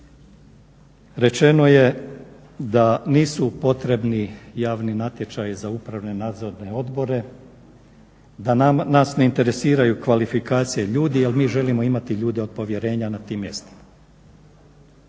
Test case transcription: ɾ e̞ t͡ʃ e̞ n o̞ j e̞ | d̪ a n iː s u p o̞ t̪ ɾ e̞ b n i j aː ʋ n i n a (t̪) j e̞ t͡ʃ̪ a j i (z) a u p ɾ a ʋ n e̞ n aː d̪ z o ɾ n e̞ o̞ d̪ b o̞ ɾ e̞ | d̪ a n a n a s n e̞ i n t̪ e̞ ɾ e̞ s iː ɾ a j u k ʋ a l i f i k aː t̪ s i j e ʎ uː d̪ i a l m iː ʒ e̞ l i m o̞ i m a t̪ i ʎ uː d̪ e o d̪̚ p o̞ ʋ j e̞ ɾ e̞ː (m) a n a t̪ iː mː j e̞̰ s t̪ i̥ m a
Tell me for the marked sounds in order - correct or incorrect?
correct, correct, incorrect

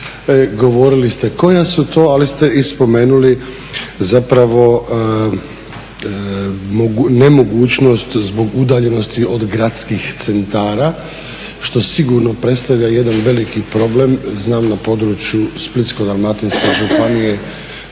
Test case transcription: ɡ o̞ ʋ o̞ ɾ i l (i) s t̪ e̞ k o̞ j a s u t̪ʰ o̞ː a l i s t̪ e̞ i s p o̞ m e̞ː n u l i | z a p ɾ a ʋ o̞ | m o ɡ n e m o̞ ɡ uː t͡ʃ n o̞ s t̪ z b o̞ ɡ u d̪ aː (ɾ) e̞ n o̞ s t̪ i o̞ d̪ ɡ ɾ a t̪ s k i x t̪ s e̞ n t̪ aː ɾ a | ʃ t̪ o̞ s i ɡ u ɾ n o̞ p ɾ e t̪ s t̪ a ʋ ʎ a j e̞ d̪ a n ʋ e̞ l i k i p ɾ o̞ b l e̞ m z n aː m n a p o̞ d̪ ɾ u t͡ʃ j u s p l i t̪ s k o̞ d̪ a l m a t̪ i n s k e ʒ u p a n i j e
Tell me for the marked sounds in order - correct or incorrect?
correct, incorrect

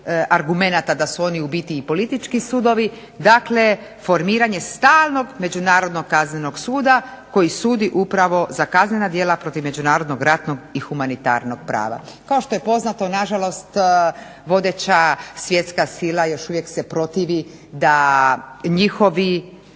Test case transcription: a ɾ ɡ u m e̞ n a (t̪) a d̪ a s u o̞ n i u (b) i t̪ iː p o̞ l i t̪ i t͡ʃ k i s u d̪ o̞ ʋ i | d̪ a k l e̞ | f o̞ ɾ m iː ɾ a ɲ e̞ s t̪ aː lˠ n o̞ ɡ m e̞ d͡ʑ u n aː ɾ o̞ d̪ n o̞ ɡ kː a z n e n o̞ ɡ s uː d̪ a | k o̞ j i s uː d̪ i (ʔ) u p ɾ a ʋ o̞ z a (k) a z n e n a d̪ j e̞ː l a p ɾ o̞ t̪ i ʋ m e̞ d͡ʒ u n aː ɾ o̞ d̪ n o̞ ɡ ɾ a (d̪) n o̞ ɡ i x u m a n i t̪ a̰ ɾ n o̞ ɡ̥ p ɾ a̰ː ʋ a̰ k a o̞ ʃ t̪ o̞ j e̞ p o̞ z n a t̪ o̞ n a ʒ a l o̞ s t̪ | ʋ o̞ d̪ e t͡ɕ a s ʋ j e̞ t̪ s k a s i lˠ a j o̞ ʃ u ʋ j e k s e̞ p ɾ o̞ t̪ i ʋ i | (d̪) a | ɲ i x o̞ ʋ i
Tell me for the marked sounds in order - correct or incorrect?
correct, correct, correct, correct, incorrect, correct

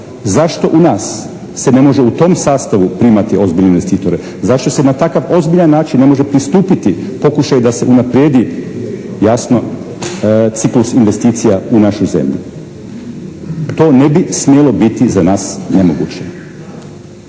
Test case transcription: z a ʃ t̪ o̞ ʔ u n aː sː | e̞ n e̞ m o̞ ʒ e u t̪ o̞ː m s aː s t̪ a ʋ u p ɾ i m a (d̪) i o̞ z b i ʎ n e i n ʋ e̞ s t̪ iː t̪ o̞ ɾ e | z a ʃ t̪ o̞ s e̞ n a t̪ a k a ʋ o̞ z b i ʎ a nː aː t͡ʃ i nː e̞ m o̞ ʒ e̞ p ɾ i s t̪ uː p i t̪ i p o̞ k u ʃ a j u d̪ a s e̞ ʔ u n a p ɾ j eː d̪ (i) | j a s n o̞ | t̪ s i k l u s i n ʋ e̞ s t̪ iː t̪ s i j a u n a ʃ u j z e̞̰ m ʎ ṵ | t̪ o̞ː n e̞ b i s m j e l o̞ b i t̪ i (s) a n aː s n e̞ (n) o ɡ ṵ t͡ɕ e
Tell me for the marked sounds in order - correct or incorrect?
incorrect, correct, incorrect, incorrect

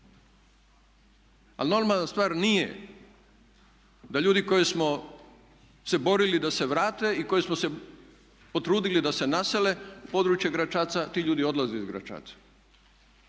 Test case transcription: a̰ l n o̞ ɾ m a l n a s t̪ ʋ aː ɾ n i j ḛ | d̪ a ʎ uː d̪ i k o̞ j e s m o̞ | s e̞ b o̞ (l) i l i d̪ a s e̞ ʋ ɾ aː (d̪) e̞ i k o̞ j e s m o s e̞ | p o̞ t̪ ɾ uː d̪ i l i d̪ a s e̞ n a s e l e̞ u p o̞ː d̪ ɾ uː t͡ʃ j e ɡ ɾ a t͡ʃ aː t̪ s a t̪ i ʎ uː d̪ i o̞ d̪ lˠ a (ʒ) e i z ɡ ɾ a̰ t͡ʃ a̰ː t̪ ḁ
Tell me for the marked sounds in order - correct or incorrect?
incorrect, incorrect, incorrect

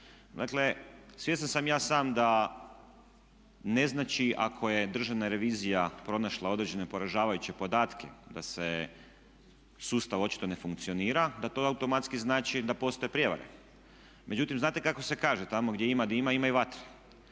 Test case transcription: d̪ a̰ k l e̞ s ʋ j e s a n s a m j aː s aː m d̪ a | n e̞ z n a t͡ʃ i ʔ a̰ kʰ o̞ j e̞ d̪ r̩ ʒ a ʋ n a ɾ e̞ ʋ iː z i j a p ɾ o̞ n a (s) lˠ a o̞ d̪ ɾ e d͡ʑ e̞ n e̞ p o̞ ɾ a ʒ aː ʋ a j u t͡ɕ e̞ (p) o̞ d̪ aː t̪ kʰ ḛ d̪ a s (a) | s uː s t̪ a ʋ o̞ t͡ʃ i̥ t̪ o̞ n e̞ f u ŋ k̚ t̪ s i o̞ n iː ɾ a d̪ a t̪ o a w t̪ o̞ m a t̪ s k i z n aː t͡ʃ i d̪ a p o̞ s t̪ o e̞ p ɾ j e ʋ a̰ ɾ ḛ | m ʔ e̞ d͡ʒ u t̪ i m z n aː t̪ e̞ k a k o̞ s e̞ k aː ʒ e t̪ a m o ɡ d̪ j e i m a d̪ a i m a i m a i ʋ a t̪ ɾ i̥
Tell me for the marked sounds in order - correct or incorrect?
incorrect, correct, incorrect

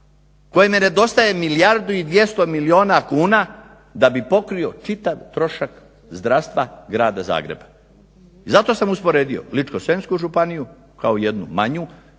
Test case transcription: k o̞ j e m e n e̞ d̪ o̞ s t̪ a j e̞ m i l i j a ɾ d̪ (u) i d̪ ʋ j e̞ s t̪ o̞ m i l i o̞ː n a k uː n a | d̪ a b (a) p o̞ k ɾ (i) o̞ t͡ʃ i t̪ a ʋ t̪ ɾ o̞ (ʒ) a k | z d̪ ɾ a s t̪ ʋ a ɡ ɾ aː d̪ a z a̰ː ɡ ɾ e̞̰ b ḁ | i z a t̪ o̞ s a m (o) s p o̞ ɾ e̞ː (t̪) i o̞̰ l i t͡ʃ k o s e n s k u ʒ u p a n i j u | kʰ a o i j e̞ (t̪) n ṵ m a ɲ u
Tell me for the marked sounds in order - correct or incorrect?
correct, incorrect, correct, incorrect, incorrect, incorrect, incorrect

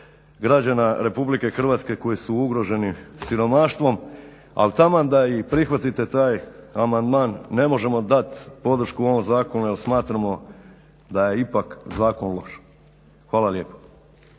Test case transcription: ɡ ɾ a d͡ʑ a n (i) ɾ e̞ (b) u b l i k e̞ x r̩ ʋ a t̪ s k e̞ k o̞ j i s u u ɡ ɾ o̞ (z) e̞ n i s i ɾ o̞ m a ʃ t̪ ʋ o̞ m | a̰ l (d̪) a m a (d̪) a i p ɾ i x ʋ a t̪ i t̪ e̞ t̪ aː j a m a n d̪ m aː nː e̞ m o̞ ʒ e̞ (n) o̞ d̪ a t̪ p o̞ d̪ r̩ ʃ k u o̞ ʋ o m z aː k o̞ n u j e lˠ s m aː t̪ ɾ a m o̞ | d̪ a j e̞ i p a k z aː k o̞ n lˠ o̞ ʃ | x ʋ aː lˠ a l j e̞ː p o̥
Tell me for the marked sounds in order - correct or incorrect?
incorrect, incorrect, incorrect, incorrect, correct, incorrect

